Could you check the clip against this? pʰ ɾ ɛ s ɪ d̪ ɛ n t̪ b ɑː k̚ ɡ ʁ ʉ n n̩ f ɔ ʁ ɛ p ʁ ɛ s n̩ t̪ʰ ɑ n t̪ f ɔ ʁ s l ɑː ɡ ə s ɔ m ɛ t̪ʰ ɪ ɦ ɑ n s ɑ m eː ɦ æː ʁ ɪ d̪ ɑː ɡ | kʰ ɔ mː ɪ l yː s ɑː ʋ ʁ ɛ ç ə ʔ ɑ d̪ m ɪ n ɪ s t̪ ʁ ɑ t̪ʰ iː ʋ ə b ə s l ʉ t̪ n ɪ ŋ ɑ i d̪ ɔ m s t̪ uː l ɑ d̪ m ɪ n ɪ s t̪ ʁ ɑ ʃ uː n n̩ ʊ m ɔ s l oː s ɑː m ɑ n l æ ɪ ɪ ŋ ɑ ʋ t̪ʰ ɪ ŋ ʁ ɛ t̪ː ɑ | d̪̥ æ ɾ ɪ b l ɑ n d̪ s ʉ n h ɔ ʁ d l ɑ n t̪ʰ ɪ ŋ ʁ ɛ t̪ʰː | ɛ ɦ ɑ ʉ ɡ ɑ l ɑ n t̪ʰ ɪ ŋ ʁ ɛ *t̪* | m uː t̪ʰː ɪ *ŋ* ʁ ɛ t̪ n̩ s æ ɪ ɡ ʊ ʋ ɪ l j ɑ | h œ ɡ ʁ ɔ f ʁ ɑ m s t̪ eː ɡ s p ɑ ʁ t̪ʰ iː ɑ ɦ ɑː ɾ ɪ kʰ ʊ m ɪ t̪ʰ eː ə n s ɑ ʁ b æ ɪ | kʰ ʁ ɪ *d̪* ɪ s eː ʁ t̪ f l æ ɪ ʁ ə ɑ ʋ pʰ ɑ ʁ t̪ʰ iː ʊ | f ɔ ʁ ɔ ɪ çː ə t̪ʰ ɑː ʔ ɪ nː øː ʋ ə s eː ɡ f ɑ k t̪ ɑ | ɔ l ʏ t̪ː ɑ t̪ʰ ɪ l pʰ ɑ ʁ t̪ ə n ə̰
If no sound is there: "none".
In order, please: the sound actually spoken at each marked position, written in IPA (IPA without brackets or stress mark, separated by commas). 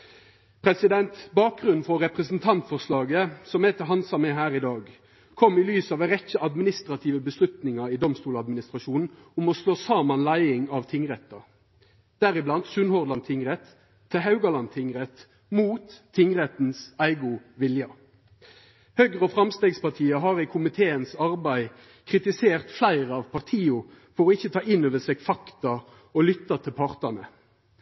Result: t̪, ŋ, t̪